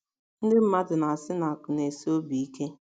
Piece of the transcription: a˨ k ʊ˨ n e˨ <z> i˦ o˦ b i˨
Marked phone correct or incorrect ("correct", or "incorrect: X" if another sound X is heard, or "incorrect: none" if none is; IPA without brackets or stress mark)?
incorrect: s